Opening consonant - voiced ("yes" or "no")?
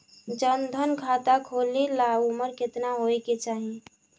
yes